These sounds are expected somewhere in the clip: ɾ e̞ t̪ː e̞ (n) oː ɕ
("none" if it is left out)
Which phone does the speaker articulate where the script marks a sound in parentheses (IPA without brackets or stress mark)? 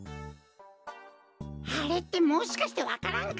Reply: m